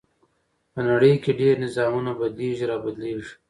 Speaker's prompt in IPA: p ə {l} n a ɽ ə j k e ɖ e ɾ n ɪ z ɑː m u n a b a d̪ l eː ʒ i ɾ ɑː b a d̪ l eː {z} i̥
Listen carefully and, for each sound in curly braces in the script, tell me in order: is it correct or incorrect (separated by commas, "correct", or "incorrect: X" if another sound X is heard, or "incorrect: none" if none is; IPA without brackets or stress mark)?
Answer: incorrect: none, incorrect: ʒ